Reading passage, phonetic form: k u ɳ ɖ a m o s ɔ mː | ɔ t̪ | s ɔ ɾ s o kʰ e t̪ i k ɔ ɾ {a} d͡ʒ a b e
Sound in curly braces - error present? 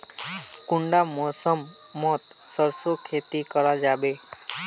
no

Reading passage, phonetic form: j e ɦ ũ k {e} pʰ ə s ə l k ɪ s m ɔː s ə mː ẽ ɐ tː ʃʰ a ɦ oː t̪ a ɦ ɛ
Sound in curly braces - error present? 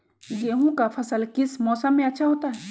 yes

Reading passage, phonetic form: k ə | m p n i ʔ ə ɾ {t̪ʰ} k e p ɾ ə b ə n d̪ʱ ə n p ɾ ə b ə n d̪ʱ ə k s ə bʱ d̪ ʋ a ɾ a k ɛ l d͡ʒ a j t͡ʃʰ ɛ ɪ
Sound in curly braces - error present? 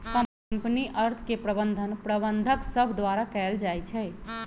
no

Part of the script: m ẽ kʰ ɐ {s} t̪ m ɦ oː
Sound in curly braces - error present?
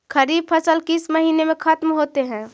yes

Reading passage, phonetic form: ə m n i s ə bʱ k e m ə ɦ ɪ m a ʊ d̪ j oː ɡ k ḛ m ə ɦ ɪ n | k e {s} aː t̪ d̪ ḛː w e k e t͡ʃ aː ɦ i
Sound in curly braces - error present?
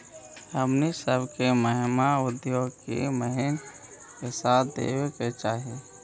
no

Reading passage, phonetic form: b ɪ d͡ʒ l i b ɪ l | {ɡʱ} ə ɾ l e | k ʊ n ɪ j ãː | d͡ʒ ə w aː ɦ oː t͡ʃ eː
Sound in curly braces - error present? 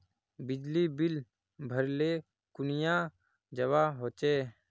yes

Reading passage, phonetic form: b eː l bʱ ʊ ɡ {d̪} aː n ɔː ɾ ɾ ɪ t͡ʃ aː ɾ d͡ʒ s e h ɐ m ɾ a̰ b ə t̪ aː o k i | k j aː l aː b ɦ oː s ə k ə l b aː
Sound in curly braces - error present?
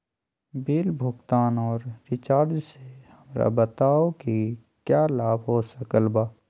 yes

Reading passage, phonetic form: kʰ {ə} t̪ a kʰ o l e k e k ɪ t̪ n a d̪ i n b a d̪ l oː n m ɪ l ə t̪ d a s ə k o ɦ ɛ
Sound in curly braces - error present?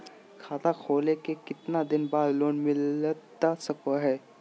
yes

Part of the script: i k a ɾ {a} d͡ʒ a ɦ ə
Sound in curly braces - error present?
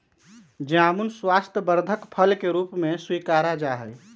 no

